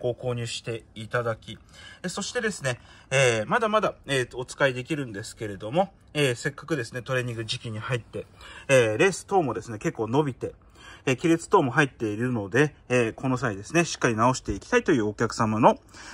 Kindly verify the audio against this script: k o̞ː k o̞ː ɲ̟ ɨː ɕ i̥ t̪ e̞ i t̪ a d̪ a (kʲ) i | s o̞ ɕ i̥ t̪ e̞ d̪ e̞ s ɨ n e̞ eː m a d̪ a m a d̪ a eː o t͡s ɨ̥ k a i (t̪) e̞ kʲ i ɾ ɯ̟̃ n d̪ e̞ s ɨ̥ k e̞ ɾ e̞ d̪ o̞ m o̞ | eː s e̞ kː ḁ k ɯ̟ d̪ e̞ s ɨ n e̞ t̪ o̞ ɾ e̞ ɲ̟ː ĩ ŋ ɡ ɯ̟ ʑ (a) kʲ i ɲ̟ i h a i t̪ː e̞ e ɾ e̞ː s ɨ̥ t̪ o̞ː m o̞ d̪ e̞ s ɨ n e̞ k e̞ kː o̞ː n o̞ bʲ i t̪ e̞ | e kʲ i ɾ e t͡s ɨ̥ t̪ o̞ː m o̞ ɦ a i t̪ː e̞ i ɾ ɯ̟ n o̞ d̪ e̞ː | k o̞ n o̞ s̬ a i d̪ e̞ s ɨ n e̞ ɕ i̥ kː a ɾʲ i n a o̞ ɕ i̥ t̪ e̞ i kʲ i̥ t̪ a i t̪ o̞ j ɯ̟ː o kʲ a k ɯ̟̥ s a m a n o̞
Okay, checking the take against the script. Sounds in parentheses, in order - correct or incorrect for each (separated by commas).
correct, incorrect, incorrect